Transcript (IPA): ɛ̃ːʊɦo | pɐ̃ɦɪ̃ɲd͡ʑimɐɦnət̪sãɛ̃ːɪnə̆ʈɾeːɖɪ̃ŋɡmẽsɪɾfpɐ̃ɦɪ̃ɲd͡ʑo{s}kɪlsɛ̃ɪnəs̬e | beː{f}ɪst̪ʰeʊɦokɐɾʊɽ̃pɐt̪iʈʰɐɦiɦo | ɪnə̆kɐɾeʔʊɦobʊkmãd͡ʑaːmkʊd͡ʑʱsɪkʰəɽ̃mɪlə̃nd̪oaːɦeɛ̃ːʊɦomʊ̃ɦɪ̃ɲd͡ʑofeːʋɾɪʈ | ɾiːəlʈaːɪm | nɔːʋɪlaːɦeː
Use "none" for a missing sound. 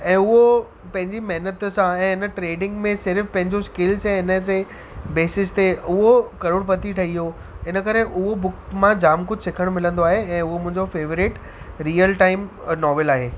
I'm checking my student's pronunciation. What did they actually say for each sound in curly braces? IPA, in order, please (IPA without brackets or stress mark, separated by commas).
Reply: s, s